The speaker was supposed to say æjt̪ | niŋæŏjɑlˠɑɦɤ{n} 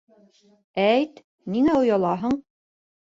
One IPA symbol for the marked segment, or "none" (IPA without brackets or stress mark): ɴ